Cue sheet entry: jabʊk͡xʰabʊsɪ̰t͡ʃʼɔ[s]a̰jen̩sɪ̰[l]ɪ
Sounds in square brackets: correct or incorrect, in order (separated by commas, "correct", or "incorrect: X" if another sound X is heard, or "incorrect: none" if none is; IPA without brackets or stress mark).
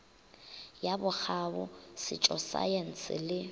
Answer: correct, correct